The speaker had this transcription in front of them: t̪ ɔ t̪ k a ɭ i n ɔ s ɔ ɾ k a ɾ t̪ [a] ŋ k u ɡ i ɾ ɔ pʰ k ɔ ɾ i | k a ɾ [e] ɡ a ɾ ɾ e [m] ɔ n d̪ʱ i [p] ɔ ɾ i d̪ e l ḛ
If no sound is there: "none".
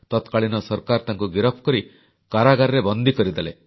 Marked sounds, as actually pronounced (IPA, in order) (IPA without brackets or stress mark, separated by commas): a, a, b, k